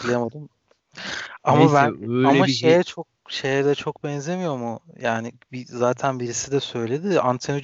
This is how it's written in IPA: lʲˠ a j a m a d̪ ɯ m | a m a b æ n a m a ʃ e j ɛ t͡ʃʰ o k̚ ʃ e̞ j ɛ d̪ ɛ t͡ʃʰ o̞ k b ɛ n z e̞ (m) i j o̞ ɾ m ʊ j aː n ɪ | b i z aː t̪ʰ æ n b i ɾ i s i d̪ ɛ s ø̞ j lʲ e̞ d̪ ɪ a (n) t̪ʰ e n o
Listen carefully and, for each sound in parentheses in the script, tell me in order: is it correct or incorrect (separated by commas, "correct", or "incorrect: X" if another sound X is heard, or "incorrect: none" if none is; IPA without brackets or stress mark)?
correct, correct